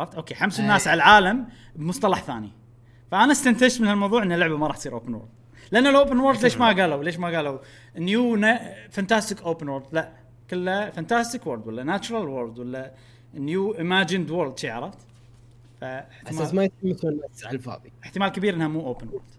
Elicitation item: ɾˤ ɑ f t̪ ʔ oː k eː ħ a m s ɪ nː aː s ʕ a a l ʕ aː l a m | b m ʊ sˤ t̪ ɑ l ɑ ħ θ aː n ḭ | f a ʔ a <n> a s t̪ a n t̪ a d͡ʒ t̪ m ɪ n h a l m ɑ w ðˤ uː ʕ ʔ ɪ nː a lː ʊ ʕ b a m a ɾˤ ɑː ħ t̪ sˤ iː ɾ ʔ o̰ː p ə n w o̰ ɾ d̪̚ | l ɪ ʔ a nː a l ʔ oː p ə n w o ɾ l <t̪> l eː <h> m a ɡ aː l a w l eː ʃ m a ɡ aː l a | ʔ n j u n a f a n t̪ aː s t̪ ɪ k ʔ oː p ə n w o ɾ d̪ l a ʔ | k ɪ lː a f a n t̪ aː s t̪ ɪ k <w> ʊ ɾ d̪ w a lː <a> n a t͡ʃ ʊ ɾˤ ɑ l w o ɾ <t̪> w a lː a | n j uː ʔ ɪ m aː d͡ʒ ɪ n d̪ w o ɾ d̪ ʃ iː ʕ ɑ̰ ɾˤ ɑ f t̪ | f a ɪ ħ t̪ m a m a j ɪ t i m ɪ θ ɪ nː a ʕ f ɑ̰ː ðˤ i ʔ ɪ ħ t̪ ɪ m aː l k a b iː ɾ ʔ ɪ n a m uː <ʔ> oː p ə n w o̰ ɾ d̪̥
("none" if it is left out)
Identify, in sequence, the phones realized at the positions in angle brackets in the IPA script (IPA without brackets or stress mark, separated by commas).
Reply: n, d̪, ʃ, w, a, d̪, ʔ